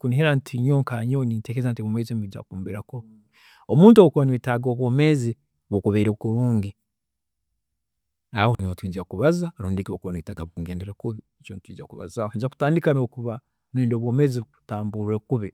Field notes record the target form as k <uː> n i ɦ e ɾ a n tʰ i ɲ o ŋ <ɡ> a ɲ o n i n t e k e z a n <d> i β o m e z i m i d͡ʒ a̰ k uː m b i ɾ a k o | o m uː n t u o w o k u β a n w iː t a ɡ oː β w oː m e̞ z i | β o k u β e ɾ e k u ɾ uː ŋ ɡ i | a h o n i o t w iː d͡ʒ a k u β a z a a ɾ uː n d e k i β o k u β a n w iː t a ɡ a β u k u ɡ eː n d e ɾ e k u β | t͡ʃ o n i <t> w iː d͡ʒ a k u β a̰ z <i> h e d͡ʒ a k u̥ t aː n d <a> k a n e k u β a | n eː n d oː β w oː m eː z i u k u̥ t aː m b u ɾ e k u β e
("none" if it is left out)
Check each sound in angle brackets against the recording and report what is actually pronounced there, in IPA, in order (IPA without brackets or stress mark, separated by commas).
u, k, t, t, a, i